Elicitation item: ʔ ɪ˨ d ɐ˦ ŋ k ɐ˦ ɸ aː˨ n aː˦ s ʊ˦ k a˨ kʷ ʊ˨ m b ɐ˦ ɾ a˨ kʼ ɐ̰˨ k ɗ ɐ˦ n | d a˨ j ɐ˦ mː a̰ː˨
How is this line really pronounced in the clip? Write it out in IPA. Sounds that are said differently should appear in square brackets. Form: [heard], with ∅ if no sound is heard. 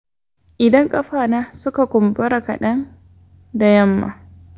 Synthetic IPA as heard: ʔ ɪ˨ d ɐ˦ ŋ [kʼ] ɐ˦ ɸ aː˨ n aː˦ s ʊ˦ k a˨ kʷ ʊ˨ m b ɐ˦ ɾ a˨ [k] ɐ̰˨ [∅] ɗ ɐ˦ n | d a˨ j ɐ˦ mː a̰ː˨